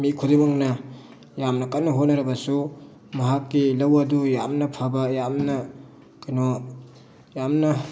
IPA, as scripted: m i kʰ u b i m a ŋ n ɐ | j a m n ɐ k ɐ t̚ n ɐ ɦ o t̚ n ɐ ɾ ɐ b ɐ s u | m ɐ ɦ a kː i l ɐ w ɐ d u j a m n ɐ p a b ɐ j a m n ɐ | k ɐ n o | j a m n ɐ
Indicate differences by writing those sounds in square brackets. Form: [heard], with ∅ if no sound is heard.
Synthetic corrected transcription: m i kʰ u [d] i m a ŋ n ɐ | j a m n ɐ k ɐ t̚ n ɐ ɦ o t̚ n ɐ ɾ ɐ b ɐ s u | m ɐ ɦ a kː i l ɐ w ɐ d u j a m n ɐ [pʰ] a b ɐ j a m n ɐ | k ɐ n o | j a m n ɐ